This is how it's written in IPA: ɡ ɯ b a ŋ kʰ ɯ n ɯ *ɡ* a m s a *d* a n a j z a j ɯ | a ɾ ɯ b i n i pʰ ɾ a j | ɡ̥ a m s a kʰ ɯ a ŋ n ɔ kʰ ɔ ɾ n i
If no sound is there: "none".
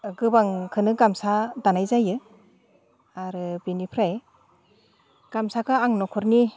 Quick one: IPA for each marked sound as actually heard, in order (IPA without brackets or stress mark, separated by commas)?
ɡ, d